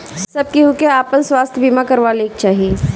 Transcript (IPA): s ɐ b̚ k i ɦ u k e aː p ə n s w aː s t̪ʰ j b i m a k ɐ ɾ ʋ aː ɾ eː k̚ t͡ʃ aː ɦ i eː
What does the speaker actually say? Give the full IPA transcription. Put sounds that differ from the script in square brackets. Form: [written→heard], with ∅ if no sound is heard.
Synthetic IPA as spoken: s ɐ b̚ k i ɦ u k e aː p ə n s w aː s t̪ʰ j b i m a k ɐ ɾ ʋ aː [ɾ→l] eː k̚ t͡ʃ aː ɦ i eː